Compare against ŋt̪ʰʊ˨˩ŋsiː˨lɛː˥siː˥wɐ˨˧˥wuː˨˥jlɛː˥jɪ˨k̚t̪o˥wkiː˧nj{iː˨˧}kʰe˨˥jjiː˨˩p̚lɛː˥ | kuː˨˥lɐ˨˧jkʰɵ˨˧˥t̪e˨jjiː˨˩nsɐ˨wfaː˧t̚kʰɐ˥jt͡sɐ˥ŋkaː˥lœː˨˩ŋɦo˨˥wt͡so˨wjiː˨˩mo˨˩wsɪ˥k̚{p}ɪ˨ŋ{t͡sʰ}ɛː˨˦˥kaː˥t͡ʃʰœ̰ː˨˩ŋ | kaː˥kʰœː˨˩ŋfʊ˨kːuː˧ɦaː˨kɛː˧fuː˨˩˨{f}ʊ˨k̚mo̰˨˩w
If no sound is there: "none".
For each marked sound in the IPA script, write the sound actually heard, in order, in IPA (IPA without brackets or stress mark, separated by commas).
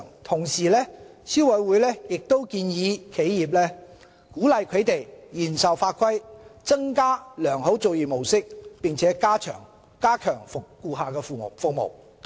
iː˨˧, p, t͡sʰ, f